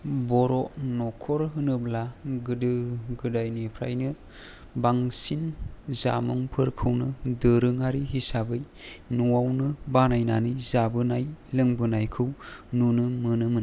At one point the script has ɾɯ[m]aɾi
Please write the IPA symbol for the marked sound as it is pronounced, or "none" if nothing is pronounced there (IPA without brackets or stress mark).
ŋ